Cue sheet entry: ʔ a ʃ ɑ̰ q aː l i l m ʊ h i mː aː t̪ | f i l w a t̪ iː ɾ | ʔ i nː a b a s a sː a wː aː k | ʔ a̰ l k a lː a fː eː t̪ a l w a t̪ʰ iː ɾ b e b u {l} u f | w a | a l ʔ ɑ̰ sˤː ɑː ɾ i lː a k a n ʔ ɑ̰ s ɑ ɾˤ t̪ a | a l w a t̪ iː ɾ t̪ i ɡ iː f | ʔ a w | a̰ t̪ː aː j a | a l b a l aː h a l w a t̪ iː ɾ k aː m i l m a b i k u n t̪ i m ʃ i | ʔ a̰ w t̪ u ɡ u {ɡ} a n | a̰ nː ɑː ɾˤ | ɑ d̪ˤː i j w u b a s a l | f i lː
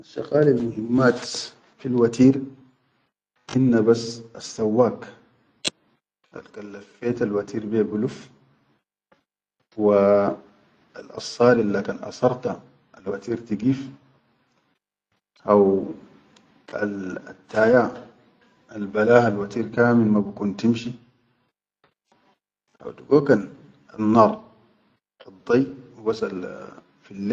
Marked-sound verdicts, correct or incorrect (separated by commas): correct, incorrect